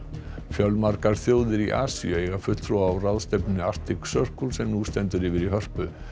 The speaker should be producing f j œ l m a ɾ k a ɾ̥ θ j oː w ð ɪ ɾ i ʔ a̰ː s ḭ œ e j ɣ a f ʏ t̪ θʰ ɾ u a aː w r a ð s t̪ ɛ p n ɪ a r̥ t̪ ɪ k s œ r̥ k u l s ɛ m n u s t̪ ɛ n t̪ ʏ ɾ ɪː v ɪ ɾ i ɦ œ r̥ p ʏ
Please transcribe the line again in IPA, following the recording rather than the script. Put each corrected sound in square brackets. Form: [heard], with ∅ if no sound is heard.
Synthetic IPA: f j œ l m a ɾ k a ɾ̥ θ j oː w ð ɪ ɾ i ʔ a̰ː s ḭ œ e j ɣ a f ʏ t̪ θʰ ɾ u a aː w r a ð s t̪ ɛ p n ɪ a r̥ t̪ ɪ k s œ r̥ k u l s ɛ m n u s t̪ ɛ n t̪ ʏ ɾ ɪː v ɪ ɾ i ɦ œ r̥ p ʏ